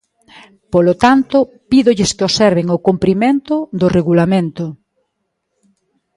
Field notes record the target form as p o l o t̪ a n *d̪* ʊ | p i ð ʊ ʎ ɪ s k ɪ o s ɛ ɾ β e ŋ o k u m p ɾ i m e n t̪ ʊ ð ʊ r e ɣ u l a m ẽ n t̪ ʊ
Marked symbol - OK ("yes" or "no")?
no